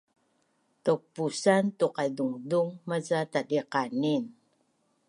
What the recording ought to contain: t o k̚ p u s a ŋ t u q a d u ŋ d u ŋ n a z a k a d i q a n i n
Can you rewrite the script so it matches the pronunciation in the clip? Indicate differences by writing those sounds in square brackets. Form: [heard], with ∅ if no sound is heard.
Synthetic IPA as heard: t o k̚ p u s a [n] t u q a d u ŋ d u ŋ [m] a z a [t] a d i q a n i n